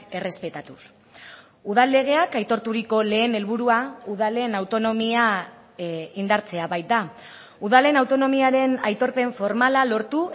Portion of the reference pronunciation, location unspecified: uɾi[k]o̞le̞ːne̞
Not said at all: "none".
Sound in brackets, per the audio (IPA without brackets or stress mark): k